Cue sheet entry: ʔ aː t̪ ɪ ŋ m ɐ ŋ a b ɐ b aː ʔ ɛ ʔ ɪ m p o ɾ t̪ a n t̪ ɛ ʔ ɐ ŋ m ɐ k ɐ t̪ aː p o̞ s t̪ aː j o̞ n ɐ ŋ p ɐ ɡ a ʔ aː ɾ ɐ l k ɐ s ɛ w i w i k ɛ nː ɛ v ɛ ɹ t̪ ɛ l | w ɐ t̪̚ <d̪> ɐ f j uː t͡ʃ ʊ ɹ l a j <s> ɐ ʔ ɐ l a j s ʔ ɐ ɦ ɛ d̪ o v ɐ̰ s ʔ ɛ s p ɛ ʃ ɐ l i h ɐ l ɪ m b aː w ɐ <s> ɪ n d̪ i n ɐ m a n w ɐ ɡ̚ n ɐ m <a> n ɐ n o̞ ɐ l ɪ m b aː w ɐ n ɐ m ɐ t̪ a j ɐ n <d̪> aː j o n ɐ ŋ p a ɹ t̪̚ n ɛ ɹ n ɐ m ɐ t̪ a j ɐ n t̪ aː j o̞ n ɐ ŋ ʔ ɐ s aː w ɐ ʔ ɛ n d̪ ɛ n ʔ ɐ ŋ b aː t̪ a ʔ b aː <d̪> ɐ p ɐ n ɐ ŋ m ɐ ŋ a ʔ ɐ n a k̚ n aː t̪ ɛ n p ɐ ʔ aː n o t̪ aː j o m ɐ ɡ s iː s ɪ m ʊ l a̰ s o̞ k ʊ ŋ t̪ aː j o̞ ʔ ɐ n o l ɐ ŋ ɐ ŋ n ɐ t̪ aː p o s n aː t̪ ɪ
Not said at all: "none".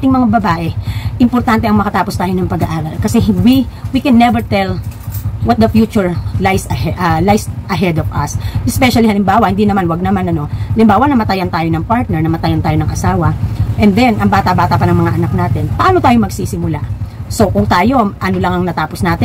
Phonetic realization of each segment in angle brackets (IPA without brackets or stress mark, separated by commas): d̪, s, h, a, t̪, t̪